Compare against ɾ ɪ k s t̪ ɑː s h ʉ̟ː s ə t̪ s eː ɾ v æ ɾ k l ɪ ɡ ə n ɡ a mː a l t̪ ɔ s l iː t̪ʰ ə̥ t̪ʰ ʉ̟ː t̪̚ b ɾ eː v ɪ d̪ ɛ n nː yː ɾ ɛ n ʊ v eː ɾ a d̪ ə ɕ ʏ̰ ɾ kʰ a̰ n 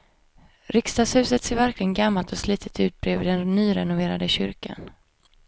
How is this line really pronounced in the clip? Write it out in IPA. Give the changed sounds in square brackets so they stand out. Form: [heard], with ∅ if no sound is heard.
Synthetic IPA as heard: ɾ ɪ k s t̪ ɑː s h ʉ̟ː s ə t̪ s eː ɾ v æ ɾ k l ɪ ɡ ə n ɡ a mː a l t̪ ɔ s l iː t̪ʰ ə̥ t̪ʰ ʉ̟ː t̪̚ b ɾ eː v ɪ d̪ ɛ n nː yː ɾ ɛ n ʊ v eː ɾ a d̪ ə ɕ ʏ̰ ɾ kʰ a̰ n